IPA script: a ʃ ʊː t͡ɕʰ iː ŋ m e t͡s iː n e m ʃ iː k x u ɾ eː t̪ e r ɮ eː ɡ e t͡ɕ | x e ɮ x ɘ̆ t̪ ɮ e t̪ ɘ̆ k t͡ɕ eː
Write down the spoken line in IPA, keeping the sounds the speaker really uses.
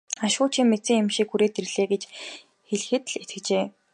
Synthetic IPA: a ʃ ʊː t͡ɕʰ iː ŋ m e t͡s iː ŋ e m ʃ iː k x u ɾ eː t̪ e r ɮ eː ɡ e t͡ɕ | x e ɮ x ɘ̆ t̪ ɮ e t̪ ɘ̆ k t͡ɕ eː